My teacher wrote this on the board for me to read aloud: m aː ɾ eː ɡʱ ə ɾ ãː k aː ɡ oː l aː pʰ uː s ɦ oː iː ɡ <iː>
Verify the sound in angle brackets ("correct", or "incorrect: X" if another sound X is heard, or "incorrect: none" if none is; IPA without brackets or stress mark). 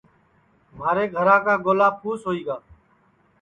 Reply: incorrect: aː